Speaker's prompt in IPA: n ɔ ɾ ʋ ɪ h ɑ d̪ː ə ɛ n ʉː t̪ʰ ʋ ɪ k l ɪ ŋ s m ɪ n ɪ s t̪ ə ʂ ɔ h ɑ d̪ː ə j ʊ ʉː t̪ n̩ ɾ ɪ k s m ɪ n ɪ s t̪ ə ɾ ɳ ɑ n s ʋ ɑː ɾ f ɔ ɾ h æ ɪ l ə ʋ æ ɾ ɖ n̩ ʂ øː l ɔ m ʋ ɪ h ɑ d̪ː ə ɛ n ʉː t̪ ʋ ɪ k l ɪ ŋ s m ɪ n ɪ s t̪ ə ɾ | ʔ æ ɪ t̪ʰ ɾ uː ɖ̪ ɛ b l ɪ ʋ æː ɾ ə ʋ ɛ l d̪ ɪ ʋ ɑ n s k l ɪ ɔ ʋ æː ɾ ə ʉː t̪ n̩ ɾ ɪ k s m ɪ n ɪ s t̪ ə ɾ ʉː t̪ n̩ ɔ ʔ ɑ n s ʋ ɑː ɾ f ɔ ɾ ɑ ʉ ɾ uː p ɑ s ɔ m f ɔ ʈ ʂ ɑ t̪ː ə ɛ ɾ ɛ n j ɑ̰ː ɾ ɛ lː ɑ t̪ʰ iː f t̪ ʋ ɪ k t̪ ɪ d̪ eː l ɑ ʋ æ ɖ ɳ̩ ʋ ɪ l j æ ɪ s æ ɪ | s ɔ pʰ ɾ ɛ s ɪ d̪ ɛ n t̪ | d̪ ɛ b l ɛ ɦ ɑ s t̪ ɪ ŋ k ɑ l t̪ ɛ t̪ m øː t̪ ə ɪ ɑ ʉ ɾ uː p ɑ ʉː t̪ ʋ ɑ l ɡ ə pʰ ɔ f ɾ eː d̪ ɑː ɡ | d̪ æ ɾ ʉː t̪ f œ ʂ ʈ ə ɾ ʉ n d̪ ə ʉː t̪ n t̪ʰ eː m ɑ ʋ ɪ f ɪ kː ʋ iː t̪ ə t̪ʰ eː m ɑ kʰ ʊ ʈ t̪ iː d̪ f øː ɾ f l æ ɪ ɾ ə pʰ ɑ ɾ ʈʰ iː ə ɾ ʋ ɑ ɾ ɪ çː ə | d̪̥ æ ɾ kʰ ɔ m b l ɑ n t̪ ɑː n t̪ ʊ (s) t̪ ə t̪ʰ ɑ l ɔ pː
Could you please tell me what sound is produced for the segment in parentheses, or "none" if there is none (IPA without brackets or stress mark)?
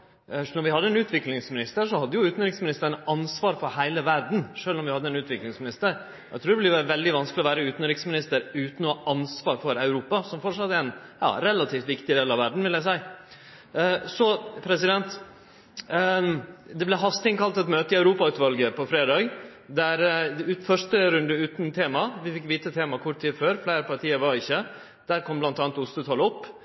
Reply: s